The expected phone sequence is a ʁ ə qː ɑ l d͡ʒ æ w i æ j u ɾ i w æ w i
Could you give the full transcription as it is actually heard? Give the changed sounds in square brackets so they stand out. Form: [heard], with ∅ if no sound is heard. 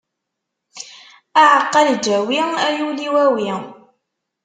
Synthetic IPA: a [ʕ] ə qː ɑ l d͡ʒ æ w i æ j u [l] i w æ w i